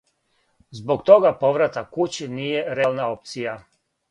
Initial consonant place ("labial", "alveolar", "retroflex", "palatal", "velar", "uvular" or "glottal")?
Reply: alveolar